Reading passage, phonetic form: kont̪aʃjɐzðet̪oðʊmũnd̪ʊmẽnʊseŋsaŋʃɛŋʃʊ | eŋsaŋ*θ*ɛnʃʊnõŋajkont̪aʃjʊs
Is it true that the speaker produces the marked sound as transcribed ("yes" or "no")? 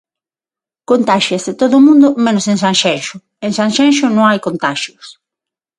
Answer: no